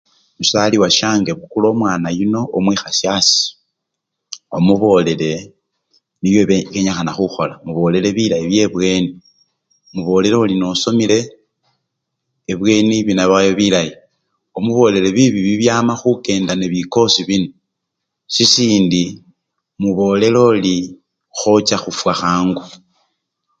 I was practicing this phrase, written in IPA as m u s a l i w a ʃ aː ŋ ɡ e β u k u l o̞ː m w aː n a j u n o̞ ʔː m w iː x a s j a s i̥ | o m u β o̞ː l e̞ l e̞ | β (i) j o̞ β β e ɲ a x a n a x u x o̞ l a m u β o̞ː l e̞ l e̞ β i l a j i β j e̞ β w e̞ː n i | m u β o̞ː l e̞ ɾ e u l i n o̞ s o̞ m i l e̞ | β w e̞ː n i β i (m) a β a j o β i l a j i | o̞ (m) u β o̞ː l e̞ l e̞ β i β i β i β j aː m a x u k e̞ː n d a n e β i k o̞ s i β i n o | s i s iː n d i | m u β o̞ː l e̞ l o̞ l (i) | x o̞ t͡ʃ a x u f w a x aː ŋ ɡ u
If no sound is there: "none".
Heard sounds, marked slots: i, n, m, i

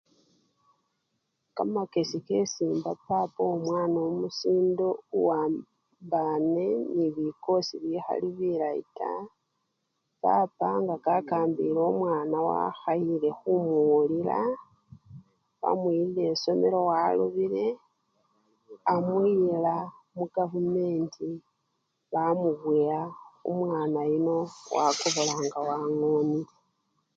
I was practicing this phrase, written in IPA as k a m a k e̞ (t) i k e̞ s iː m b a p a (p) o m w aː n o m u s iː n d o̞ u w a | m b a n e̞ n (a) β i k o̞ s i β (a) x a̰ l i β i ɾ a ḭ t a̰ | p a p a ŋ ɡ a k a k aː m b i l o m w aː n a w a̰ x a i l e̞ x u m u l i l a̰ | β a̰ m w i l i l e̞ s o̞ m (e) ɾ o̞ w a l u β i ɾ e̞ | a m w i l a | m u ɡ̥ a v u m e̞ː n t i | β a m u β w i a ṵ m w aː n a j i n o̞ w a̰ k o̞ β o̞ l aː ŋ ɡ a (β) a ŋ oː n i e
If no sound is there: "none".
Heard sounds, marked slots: s, p, i, i, e, w

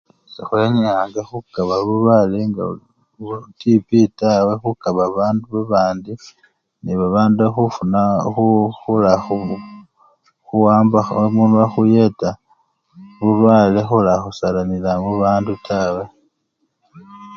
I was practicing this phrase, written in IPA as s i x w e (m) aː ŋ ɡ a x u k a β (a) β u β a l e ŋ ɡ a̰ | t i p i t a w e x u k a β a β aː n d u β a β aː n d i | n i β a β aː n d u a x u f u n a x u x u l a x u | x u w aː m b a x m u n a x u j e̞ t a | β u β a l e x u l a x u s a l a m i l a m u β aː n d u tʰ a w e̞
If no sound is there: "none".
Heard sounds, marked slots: ɲ, a

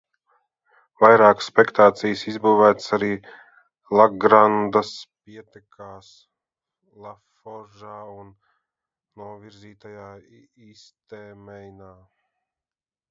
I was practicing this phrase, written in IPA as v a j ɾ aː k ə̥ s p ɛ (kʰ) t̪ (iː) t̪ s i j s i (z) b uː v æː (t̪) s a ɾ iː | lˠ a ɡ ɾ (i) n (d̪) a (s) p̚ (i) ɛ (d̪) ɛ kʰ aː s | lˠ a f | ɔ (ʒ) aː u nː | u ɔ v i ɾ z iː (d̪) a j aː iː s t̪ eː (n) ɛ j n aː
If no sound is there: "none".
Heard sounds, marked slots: k, aː, z, t̪, a, d̪, s, i, t̪, ʒ, t̪, m

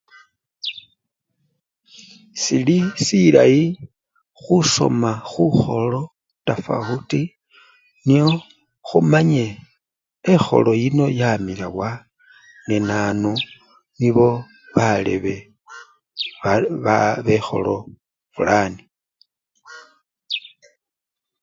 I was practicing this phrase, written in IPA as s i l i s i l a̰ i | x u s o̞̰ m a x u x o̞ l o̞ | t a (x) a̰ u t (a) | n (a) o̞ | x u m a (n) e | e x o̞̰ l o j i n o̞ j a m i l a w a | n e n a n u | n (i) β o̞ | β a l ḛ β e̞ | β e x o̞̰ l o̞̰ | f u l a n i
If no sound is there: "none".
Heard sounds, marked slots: f, i, i, ɲ, i

